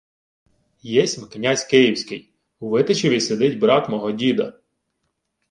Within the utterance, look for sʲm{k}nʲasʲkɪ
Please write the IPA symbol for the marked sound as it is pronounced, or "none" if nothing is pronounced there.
k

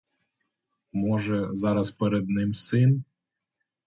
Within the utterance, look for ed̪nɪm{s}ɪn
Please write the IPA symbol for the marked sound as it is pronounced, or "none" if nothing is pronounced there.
s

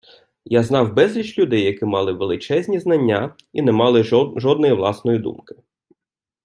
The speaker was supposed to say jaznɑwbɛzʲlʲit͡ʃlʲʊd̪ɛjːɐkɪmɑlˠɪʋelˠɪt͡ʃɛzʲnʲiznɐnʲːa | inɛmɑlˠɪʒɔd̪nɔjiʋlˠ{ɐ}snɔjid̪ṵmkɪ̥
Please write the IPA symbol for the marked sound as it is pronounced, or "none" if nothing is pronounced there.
ɑ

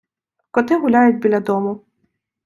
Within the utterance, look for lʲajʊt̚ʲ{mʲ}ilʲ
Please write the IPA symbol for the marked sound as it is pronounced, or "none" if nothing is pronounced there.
bʲ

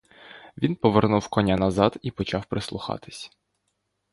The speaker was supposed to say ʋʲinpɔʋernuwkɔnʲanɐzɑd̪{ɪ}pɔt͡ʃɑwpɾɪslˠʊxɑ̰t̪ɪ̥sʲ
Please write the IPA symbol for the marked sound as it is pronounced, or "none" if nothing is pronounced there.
i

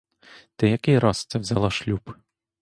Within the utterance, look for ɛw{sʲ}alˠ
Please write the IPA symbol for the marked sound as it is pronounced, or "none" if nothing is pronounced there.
zʲ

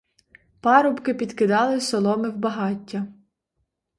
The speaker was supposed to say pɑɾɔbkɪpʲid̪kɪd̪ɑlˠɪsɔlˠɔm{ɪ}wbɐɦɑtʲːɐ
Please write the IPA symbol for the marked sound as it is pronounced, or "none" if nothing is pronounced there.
ɪ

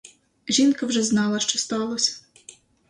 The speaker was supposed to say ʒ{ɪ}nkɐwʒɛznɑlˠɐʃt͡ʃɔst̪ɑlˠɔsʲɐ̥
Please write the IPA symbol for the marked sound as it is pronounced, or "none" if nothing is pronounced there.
i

